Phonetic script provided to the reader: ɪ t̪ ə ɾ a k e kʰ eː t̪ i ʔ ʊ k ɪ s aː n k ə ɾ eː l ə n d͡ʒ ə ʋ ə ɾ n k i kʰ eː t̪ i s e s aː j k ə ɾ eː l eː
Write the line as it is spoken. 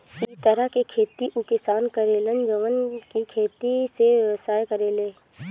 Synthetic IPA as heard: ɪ t̪ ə ɾ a k e kʰ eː t̪ i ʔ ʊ k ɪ s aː n k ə ɾ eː l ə n d͡ʒ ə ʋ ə n k i kʰ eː t̪ i s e s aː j k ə ɾ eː l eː